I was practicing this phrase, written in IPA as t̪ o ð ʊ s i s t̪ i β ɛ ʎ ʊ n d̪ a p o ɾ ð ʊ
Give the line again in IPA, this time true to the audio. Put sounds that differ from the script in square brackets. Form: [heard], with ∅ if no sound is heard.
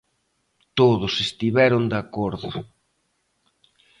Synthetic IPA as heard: t̪ o ð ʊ s [e] s t̪ i β ɛ [ɾ] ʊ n d̪ a [k] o ɾ ð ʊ